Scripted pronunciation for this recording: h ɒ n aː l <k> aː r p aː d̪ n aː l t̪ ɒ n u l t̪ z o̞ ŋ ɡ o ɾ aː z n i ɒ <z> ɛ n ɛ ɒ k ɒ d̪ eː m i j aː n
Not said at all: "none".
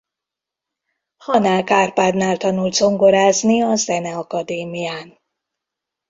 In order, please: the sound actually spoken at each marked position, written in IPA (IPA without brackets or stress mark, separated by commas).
k, z